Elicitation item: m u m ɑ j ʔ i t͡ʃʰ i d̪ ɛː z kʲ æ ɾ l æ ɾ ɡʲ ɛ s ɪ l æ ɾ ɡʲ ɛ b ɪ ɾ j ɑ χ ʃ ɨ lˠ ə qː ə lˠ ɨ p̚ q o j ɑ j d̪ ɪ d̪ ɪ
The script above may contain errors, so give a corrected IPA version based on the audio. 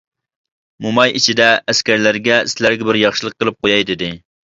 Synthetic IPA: m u m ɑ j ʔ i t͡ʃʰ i d̪ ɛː s kʲ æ ɾ l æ ɾ ɡʲ ɛ s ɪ l æ ɾ ɡʲ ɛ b ɪ ɾ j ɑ χ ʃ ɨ lˠ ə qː ə lˠ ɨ p̚ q o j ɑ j d̪ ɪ d̪ ɪ